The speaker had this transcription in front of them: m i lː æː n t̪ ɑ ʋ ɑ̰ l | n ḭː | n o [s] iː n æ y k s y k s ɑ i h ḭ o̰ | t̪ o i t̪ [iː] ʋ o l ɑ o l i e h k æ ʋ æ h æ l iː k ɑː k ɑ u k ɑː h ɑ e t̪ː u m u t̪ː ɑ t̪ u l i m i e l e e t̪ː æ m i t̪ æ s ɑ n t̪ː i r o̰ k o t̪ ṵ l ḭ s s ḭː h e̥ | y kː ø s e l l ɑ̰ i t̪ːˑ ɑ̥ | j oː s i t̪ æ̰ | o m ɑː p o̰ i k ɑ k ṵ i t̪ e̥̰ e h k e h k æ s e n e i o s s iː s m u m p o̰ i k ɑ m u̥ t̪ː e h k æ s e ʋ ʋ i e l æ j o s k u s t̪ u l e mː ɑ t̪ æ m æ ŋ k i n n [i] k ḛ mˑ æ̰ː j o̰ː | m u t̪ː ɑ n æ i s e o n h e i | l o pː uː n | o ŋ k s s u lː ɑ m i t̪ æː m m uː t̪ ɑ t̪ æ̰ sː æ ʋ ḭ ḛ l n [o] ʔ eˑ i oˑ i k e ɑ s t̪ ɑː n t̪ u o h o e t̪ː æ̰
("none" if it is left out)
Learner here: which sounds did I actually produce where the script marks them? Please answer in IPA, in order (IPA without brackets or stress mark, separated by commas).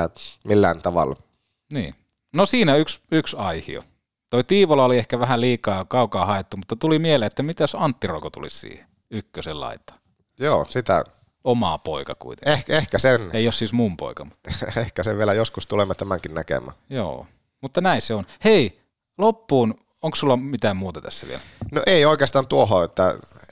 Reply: s, iː, æ, o